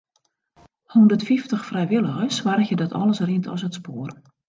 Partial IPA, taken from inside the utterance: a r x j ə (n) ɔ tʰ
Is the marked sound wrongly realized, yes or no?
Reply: yes